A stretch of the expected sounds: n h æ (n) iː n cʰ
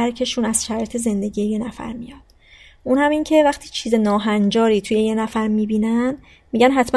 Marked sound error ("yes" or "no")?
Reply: yes